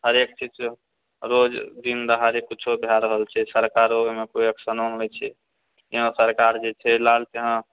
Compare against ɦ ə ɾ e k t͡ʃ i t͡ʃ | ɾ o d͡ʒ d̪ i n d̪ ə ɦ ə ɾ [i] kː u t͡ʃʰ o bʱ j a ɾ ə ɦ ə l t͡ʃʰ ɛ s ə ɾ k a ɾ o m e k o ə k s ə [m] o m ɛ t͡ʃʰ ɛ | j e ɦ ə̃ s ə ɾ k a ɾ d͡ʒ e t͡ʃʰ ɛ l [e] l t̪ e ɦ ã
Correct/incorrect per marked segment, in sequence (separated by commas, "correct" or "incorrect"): incorrect, incorrect, incorrect